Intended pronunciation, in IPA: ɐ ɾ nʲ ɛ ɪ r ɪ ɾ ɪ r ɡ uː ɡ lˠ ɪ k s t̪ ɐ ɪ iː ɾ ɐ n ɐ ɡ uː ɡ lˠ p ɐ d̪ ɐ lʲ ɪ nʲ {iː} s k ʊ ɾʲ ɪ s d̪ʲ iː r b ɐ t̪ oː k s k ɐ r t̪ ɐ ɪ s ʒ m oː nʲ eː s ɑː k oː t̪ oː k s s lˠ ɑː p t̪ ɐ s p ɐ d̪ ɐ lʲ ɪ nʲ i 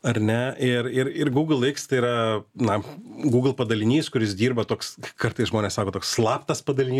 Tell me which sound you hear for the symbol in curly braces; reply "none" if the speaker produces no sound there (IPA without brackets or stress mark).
iː